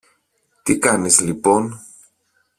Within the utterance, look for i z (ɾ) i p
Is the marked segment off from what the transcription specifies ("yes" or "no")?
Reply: yes